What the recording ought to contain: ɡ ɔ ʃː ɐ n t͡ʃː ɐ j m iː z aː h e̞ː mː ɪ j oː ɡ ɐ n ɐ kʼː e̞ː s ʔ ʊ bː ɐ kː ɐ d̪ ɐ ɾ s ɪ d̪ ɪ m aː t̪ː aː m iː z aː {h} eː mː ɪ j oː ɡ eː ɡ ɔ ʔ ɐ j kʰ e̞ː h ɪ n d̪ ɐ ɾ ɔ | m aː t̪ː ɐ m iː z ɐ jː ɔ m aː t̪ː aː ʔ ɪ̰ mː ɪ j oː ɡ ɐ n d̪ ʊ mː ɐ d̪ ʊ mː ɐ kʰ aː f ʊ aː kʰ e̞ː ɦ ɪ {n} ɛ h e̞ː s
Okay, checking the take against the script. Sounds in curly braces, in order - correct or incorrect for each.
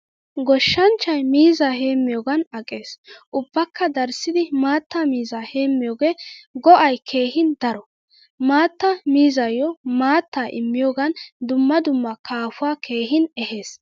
correct, correct

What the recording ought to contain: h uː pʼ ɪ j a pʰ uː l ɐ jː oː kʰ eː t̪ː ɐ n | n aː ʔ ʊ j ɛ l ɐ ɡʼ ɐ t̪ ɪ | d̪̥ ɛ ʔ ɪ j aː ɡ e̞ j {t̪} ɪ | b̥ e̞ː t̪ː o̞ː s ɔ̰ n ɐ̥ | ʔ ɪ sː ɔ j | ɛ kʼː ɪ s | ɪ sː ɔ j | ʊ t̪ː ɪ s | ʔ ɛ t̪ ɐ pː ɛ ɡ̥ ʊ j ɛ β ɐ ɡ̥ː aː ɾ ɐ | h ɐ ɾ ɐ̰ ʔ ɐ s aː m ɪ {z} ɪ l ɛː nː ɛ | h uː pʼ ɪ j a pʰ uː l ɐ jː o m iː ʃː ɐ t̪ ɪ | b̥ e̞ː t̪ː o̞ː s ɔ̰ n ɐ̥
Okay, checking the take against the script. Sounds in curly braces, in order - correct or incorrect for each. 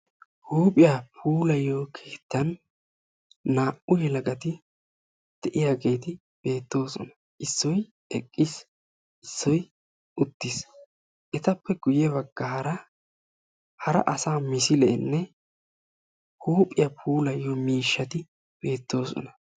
correct, incorrect: s

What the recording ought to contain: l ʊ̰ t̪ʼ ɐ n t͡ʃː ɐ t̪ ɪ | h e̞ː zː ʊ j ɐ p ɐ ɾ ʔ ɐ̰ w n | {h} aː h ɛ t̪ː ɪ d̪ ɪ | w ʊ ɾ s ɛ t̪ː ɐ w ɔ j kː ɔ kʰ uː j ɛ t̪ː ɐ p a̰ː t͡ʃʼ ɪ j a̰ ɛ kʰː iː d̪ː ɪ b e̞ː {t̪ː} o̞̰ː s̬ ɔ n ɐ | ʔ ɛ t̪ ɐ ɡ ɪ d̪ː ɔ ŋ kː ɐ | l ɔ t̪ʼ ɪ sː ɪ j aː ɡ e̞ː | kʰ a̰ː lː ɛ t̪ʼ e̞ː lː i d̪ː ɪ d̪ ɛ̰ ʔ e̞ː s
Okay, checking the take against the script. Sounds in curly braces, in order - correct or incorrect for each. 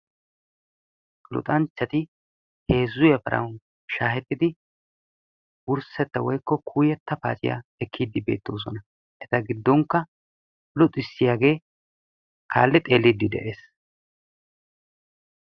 incorrect: ʃ, correct

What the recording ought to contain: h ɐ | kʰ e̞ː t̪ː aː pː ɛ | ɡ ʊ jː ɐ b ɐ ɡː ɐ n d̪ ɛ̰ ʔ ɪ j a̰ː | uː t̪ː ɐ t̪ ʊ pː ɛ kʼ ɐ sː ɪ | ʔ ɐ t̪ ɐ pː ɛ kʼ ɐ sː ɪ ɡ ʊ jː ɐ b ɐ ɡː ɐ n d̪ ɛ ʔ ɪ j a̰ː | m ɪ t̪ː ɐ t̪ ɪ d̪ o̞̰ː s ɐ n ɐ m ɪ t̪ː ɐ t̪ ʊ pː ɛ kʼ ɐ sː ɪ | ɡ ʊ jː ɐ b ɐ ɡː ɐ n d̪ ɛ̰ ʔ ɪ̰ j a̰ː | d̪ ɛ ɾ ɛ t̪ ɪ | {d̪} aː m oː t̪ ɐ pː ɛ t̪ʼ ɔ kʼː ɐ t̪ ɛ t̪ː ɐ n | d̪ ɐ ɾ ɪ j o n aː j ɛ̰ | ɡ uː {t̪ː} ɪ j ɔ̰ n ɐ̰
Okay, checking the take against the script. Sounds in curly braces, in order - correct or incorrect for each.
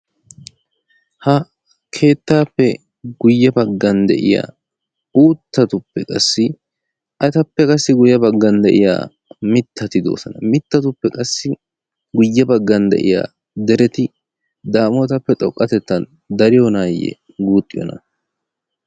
correct, incorrect: t̪ʼː

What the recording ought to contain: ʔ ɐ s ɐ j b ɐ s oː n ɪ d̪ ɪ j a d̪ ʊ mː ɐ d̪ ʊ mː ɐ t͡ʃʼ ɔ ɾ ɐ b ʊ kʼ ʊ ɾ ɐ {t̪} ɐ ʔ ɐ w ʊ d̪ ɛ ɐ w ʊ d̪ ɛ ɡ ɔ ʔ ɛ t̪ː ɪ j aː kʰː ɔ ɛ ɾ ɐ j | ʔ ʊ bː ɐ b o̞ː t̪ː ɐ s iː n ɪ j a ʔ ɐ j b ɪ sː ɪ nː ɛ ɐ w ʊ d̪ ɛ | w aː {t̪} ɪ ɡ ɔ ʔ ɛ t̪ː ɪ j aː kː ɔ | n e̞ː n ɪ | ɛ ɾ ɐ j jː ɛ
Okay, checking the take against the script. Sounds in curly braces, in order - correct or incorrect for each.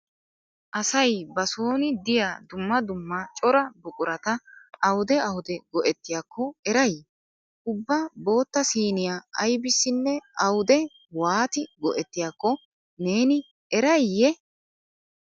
correct, correct

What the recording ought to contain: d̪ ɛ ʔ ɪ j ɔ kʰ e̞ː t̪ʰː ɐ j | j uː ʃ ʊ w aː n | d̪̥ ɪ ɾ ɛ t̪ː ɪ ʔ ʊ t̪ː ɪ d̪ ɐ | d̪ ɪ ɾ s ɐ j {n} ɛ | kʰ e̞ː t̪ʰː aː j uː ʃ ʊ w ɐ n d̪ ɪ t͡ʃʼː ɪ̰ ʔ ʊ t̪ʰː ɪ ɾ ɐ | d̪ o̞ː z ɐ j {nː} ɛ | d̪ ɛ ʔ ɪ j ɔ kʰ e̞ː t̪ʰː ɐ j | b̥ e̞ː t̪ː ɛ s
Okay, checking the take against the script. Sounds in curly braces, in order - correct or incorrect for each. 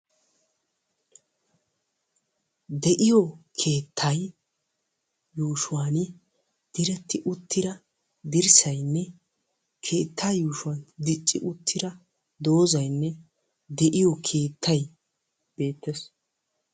incorrect: nː, correct

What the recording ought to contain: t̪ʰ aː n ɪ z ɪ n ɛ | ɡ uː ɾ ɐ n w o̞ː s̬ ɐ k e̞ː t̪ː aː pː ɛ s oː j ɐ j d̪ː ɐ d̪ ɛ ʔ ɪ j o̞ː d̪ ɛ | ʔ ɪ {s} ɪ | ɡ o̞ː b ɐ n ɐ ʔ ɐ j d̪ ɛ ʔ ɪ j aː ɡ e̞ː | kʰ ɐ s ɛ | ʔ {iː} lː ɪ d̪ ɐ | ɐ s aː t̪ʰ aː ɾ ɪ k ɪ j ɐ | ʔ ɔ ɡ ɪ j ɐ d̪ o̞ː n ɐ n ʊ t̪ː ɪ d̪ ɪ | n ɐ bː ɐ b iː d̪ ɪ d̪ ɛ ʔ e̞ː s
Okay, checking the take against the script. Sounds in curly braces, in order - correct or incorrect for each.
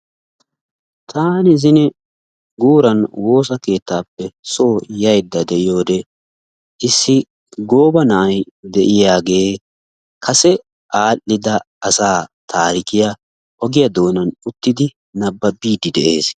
incorrect: sː, incorrect: aː

